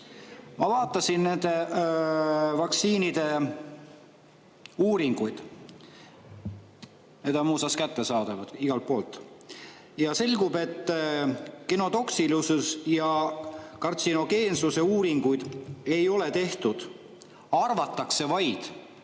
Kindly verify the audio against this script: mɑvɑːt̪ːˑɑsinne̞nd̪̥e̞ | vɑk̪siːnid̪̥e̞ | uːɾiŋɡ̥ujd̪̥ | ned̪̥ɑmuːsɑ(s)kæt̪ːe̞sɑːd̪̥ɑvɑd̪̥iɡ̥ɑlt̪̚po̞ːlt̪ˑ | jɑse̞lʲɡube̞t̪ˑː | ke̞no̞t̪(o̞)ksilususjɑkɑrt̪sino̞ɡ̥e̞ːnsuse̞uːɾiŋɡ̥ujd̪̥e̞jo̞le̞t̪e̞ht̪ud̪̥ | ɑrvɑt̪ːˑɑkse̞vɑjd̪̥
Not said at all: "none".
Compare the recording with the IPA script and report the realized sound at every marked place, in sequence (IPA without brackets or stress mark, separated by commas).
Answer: s, o̞